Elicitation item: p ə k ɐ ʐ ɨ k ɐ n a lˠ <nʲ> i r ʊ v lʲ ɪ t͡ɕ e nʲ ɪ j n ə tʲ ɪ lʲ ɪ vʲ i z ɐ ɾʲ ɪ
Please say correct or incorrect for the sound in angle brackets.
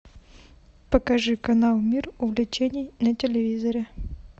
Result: incorrect